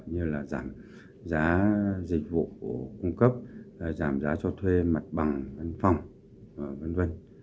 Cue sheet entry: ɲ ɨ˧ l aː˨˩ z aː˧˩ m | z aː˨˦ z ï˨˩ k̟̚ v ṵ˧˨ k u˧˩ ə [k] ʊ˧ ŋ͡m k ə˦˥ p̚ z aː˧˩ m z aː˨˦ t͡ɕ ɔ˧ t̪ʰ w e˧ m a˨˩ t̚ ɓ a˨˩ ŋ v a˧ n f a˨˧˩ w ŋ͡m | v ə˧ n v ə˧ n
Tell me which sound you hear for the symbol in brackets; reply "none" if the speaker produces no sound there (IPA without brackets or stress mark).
k